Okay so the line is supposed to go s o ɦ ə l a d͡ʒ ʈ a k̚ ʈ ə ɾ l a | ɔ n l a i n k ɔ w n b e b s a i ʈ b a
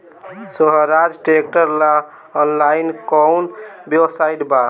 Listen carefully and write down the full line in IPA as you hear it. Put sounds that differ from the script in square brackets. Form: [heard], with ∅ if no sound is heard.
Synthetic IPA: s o ɦ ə [ɾ] a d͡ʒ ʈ [e] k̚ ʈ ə ɾ l a | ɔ n l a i n k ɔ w n b e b s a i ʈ b a